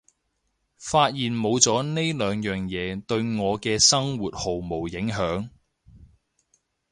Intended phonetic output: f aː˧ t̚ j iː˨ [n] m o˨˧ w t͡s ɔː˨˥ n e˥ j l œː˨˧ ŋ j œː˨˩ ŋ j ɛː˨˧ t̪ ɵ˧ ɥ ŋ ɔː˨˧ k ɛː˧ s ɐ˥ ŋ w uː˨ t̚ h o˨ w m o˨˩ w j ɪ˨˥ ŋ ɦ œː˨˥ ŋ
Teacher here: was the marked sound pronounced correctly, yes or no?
yes